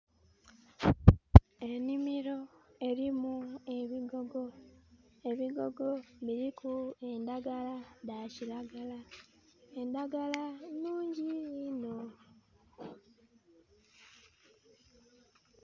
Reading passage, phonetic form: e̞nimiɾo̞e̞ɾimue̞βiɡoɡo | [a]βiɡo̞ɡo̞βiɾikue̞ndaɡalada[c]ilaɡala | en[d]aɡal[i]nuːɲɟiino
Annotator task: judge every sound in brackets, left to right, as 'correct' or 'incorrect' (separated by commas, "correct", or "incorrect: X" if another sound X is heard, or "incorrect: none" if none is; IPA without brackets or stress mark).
incorrect: e, correct, correct, incorrect: a